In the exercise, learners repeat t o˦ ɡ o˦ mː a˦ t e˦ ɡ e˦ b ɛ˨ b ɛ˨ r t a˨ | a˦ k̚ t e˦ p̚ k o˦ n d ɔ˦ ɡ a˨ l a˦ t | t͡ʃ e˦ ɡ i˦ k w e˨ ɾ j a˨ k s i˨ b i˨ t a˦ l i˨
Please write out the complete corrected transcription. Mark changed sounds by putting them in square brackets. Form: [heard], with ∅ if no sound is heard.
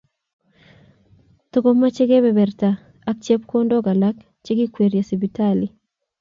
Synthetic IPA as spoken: t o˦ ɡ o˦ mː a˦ [t͡ʃ] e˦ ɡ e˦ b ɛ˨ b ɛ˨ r t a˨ | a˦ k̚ [t͡ʃ] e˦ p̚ k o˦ n d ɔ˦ ɡ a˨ l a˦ [k] | t͡ʃ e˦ ɡ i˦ k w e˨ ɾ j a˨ [∅] s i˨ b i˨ t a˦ l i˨